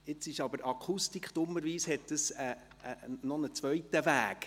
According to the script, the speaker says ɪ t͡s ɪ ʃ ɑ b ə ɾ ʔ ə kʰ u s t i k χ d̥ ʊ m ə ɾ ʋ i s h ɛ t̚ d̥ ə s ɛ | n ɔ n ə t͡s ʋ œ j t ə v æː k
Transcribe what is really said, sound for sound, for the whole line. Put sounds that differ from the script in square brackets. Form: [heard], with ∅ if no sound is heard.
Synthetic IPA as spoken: ɪ t͡s ɪ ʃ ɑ b ə ɾ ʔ [ɑ] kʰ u s t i k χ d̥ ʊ m ə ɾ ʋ [iː] s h ɛ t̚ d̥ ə s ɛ | n ɔ n ə t͡s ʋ œ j t ə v æː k